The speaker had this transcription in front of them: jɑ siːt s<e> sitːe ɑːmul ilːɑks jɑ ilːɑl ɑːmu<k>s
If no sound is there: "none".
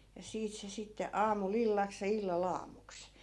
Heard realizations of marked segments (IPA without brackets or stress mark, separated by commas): e, k